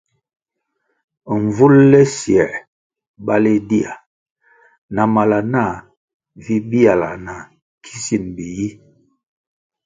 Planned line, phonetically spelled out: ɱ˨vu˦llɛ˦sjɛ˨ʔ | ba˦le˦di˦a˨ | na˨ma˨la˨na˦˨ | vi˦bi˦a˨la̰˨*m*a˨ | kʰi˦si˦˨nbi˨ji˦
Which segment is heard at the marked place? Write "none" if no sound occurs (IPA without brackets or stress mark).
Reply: n